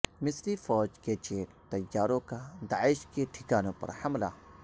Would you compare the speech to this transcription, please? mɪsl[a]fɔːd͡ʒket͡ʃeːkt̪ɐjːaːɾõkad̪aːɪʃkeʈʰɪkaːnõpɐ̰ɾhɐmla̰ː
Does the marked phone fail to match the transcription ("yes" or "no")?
yes